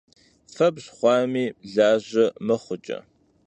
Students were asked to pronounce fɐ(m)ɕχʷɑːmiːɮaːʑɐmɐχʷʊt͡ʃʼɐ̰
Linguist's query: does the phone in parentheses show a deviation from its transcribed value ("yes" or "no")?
yes